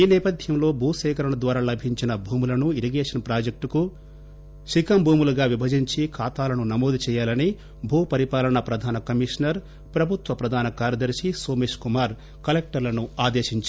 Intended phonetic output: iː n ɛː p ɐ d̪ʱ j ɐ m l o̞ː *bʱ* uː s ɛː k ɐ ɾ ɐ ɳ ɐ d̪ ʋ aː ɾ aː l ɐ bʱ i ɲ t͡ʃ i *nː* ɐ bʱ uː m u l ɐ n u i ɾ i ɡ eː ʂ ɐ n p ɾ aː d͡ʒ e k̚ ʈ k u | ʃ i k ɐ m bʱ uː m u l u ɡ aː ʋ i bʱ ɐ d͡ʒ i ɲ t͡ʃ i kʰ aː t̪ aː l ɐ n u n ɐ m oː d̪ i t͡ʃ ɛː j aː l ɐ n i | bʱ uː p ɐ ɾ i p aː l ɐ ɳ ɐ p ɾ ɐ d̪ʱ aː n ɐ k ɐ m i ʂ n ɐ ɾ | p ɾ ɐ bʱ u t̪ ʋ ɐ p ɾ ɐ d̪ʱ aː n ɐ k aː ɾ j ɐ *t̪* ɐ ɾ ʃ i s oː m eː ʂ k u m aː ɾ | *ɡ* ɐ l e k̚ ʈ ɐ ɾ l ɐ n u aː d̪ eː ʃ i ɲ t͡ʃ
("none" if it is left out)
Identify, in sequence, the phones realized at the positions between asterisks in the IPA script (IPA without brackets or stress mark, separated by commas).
bʱ, n, d̪, k